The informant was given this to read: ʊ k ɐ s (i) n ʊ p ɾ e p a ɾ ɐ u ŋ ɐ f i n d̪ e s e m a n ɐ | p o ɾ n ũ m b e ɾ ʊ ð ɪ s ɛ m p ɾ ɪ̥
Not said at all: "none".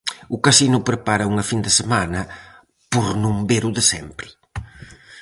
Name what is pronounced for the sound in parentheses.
i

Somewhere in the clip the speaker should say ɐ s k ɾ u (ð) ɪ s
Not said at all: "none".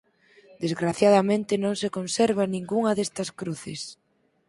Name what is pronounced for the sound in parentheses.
θ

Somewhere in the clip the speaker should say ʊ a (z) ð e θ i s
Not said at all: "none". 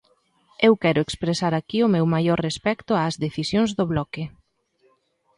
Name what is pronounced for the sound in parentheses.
z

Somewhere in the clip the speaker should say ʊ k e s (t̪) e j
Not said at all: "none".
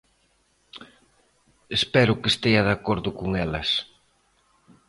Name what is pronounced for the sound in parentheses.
t̪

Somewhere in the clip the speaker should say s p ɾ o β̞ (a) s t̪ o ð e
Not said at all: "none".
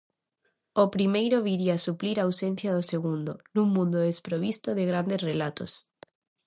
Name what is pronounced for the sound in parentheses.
i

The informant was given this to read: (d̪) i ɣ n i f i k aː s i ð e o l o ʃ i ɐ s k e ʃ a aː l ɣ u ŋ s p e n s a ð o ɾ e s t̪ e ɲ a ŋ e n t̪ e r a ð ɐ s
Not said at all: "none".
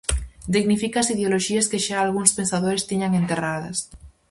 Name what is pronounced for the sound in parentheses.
d̪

